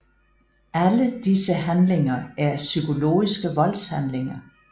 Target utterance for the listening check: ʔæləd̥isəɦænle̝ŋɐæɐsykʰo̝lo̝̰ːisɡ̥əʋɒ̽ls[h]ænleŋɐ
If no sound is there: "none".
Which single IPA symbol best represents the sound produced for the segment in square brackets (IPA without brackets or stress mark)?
h